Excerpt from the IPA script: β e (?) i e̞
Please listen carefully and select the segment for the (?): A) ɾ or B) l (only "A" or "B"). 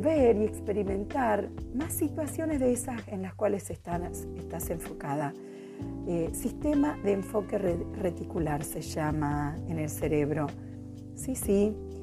A